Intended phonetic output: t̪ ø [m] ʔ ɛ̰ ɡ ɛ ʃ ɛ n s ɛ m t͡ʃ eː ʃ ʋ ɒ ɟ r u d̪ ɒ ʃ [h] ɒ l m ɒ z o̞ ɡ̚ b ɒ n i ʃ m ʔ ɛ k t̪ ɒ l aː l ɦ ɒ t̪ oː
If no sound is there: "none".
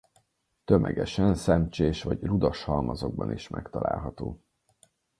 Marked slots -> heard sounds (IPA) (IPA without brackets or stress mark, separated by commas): m, h